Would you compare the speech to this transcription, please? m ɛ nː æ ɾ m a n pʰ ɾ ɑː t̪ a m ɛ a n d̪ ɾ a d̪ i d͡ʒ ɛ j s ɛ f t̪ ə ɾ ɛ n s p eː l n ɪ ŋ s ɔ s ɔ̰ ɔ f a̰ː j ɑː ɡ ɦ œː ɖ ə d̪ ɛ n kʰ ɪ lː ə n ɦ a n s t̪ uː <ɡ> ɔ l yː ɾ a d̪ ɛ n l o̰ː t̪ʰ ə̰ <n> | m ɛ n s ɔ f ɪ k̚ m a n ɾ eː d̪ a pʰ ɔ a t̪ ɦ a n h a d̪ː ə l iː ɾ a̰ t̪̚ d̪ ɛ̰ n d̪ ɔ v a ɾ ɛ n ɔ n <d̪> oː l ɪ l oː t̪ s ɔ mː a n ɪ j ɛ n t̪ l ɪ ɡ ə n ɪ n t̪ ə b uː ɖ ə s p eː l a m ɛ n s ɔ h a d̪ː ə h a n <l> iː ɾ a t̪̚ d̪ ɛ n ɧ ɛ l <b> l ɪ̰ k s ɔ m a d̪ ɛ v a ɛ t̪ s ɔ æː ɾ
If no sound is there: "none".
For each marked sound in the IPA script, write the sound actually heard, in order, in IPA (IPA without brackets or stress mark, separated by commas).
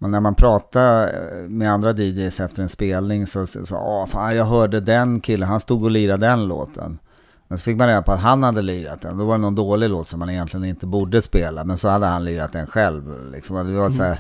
ɡ, n, d̪, l, v